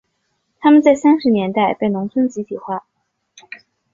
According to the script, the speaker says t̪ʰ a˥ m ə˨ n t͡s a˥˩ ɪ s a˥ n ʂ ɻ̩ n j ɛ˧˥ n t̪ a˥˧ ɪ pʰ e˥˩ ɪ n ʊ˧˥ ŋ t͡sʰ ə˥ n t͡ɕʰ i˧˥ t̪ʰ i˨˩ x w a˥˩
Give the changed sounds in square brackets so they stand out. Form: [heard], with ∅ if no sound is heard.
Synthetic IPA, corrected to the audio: t̪ʰ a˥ m ə˨ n t͡s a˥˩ ɪ s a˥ n ʂ ɻ̩ n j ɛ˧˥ n t̪ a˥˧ ɪ [p] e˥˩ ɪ n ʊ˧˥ ŋ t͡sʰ ə˥ n [t͡ɕ] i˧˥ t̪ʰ i˨˩ x w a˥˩